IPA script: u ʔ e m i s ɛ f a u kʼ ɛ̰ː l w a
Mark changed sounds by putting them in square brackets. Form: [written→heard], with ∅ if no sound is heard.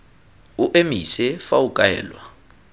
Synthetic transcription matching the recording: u ʔ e m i s ɛ f a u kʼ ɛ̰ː l w a